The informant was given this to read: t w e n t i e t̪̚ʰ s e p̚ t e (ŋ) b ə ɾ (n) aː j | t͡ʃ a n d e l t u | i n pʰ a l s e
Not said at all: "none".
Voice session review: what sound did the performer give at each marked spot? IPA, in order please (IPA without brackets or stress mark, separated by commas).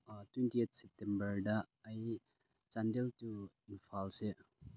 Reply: m, d